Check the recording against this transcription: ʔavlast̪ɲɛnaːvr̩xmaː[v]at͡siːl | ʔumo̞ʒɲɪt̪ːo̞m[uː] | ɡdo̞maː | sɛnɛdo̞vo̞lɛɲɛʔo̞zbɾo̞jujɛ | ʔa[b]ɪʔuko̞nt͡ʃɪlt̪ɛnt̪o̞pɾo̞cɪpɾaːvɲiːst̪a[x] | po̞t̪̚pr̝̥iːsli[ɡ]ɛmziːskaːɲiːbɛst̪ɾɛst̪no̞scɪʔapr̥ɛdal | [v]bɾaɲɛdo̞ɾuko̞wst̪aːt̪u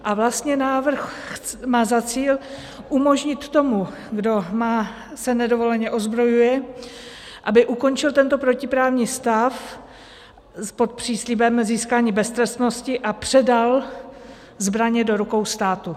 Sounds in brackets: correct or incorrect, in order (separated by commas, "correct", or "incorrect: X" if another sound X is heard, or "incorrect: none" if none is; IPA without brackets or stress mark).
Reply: incorrect: z, incorrect: u, correct, incorrect: f, incorrect: b, incorrect: z